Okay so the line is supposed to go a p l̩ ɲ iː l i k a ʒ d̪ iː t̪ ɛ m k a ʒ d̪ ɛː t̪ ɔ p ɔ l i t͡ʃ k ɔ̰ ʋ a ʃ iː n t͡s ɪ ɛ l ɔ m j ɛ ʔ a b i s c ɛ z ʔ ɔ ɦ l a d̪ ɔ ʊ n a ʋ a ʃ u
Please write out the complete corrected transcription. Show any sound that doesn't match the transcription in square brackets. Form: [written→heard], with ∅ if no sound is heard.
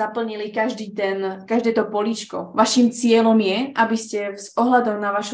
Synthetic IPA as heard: a p l̩ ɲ [iː→i] l i k a ʒ d̪ iː t̪ ɛ [m→n] k a ʒ d̪ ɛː t̪ ɔ p ɔ l i t͡ʃ k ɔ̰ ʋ a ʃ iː [n→m] t͡s ɪ ɛ l ɔ m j ɛ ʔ a b i s c ɛ z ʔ ɔ ɦ l a d̪ ɔ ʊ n a ʋ a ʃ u